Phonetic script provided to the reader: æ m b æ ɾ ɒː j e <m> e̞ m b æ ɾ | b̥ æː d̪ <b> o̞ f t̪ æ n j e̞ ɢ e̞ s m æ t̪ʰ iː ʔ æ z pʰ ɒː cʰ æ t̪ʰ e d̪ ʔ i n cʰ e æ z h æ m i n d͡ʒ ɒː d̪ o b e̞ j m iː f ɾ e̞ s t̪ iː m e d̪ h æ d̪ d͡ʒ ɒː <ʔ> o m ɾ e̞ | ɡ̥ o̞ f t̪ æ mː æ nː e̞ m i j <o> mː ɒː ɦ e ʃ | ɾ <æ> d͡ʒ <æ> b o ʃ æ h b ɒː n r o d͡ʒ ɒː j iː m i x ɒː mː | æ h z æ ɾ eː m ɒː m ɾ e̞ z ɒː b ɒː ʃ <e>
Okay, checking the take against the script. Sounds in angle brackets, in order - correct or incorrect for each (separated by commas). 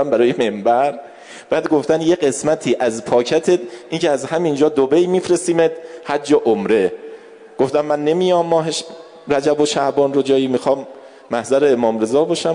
correct, incorrect, correct, incorrect, correct, correct, incorrect